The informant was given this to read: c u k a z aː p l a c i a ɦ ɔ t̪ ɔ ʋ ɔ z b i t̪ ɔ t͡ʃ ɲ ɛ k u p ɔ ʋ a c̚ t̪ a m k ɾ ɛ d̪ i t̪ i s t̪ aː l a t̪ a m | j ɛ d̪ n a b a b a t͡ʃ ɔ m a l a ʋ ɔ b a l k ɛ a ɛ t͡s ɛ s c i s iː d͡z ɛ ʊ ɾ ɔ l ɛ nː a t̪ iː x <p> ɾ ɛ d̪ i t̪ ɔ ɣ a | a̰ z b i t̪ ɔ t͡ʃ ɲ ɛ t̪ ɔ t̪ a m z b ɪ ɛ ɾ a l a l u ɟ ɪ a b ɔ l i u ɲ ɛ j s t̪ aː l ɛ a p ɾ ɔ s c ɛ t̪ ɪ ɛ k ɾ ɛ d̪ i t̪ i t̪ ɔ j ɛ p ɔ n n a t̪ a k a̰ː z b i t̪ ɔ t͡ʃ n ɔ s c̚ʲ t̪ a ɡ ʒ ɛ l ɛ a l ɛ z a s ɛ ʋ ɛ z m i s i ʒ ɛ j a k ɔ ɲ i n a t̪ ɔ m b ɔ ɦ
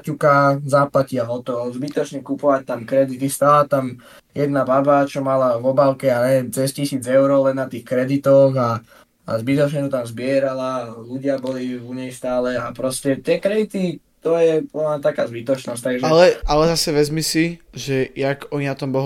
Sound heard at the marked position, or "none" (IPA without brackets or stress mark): k